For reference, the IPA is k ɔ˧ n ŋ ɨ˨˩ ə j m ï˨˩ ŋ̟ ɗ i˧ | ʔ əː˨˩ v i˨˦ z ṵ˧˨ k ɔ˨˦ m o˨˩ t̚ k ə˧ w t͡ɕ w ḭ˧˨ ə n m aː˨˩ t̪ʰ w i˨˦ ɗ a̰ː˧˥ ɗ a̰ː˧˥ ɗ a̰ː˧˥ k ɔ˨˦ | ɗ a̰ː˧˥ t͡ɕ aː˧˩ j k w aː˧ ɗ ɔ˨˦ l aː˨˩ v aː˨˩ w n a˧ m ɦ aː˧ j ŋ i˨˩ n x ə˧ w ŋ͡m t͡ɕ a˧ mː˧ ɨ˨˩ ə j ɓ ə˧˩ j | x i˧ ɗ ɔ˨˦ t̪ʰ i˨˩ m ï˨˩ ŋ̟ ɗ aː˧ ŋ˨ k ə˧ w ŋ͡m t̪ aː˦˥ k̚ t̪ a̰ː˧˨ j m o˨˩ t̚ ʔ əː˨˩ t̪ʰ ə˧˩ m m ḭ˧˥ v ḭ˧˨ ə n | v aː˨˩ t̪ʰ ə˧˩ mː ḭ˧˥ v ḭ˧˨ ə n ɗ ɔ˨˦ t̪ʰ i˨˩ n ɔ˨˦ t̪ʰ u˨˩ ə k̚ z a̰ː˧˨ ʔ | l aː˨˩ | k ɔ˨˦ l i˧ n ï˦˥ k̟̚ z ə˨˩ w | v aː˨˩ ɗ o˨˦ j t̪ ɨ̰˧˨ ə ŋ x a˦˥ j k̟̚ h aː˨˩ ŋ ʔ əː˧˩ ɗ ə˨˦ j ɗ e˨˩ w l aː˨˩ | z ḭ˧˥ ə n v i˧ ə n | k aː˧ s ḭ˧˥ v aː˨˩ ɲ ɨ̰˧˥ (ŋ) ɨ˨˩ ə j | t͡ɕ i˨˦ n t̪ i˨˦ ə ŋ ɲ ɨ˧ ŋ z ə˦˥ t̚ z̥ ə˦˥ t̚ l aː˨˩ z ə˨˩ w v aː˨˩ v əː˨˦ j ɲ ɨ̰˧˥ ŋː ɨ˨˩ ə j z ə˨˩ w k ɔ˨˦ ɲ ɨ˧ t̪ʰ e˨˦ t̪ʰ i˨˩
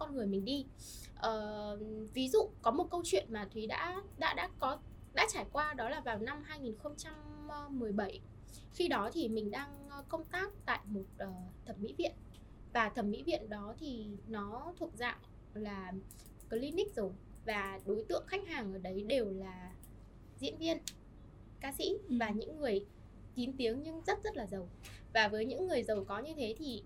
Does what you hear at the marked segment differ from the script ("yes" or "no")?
yes